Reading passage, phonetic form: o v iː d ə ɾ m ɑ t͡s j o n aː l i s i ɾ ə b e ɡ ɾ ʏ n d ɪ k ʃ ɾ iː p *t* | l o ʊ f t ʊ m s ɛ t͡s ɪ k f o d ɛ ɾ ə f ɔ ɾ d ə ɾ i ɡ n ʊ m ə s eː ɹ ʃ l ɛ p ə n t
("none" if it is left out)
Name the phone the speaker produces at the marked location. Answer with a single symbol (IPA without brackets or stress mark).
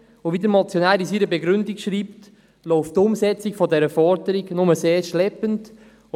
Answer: t